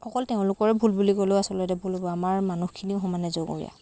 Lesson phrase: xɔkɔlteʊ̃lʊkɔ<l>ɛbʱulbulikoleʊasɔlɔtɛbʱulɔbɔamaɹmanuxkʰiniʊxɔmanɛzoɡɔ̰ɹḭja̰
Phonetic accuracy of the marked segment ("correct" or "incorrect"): incorrect